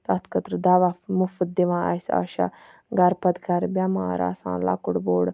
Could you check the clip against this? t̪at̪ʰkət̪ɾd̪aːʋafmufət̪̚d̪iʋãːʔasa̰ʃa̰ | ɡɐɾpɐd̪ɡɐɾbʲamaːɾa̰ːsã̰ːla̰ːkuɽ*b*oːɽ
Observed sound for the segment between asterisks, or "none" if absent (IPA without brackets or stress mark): b